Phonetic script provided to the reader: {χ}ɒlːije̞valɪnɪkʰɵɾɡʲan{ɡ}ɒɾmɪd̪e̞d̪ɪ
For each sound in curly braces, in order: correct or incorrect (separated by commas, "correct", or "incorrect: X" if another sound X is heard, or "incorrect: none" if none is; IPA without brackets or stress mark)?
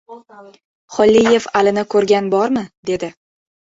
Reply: correct, incorrect: b